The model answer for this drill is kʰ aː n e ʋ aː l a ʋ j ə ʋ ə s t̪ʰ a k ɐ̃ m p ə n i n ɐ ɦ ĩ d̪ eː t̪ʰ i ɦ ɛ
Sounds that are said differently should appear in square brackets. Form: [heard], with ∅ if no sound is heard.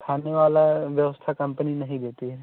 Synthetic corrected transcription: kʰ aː n e ʋ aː l a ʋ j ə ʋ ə s t̪ʰ a k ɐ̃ m p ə n i n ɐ ɦ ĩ d̪ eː [t̪] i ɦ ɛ